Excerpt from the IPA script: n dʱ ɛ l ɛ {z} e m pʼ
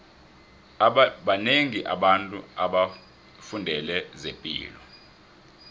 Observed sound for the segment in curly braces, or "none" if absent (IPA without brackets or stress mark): z